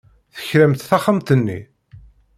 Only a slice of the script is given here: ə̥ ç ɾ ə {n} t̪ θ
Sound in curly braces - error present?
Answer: yes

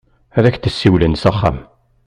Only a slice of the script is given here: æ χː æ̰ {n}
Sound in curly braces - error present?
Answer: yes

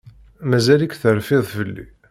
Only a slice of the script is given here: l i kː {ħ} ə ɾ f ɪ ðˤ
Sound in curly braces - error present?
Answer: yes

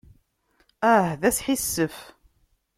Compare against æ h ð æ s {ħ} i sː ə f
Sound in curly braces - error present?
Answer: no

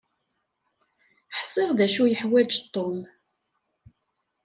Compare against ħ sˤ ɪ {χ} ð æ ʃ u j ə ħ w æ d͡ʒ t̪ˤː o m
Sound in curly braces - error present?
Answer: yes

